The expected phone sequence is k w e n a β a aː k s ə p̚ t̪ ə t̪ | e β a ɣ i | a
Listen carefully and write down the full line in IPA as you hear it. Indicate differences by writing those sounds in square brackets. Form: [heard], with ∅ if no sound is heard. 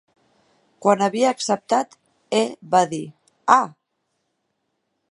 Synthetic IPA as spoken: k w [a] n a β [i] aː k s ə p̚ t̪ [a] t̪ | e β a [ð] i | a